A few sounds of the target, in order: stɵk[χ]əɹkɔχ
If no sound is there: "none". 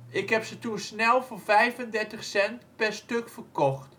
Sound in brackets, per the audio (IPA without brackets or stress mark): f